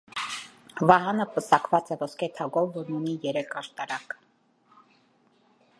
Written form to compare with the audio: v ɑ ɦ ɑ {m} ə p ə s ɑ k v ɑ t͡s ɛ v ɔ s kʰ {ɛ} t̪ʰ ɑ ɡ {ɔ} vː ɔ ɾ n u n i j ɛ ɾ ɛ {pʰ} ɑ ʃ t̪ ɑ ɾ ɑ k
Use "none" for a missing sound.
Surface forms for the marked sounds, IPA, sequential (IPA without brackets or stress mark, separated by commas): n, ɛ, ɔ, kʰ